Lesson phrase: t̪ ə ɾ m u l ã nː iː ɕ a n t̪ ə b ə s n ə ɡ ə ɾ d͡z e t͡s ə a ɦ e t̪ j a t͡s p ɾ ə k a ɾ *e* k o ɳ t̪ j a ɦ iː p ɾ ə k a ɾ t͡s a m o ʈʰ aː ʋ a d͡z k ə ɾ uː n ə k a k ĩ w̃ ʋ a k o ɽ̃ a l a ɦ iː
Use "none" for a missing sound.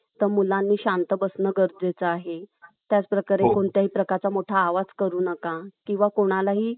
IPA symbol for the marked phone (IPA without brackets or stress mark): e